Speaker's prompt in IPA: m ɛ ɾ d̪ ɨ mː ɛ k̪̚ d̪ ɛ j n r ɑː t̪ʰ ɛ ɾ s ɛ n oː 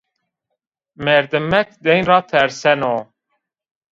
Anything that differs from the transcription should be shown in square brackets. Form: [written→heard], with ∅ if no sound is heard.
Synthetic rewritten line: m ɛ ɾ d̪ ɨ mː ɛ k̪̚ d̪ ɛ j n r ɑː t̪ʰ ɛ ɾ s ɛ n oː